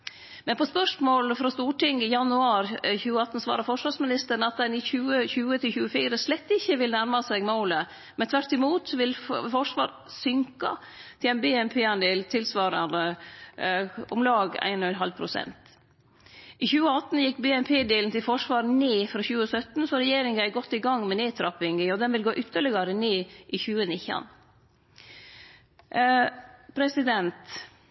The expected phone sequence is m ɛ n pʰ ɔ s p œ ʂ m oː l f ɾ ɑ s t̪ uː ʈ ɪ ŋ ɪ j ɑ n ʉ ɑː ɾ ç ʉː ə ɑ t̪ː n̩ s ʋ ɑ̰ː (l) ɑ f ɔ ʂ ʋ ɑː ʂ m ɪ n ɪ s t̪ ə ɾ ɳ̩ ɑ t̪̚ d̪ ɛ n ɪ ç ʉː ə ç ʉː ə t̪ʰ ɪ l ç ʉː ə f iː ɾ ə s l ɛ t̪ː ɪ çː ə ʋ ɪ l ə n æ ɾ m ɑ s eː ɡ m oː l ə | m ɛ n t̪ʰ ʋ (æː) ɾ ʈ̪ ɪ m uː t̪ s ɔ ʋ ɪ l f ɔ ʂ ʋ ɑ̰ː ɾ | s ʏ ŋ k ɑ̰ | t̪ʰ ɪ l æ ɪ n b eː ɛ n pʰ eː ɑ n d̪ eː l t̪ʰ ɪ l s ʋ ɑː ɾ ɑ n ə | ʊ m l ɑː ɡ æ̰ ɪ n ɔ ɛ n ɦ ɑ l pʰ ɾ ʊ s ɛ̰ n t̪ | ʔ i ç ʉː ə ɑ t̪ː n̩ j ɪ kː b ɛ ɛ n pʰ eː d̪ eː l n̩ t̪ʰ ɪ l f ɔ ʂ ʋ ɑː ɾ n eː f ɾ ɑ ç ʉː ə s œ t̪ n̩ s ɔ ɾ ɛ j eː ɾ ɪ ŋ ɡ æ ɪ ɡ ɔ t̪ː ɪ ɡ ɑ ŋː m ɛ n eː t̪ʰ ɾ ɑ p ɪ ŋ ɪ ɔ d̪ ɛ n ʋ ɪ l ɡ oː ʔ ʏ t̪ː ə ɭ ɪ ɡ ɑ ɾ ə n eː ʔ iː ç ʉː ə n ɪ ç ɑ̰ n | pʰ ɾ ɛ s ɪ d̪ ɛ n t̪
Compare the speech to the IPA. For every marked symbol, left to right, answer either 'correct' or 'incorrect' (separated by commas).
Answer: incorrect, incorrect